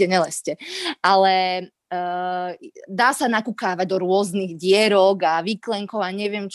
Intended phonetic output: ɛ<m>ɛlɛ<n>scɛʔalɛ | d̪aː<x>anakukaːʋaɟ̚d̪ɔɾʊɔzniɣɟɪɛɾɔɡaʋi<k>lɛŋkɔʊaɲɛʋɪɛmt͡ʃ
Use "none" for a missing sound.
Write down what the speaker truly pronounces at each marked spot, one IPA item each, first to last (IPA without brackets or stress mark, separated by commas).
ɲ, none, s, k